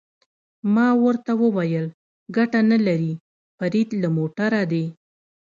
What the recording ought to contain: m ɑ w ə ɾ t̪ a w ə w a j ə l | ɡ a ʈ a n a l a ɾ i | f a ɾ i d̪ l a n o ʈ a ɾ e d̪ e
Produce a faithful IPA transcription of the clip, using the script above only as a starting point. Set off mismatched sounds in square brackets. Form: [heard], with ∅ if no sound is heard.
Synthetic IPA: m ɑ w ə ɾ t̪ a w ə w a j ə l | ɡ a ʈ a n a l a ɾ i | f a ɾ i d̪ l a [m] o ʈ a ɾ [a] d̪ e

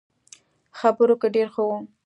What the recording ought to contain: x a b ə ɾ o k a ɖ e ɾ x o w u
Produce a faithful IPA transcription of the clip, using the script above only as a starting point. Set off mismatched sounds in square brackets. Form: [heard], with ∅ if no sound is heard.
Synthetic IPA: x a b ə ɾ o k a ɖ e ɾ x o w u

